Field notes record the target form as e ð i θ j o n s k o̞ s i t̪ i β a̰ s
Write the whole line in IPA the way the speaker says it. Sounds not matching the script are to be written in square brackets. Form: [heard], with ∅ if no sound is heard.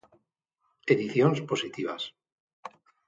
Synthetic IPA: e ð i θ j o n s [p] o̞ s i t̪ i β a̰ s